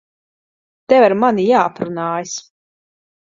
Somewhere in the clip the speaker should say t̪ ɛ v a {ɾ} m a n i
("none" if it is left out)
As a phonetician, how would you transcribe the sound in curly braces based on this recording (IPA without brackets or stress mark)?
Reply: ɾ